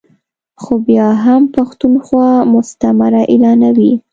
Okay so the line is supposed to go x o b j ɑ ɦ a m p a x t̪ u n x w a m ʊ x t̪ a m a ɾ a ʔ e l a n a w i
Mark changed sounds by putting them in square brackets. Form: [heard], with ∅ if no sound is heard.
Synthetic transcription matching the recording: x o b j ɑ ɦ a m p a x t̪ u n x w [ɑ] m ʊ [s] t̪ a m a ɾ a ʔ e l [ɑ] n a w i